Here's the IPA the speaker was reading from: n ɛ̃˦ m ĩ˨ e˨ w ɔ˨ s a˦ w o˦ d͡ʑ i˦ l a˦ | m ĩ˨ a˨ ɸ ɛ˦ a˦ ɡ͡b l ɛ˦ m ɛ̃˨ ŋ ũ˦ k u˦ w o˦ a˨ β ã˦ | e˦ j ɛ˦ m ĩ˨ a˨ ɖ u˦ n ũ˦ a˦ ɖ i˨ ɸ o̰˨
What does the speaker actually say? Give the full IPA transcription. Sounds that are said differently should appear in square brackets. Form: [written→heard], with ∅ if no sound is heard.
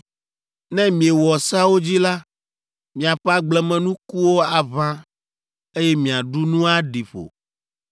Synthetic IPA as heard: n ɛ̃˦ m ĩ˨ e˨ w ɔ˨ s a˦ w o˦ d͡ʑ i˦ l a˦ | m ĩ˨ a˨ ɸ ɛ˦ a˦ ɡ͡b l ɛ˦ m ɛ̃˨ [ŋ→n] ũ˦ k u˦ w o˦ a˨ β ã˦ | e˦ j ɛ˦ m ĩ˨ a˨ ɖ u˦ n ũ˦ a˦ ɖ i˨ ɸ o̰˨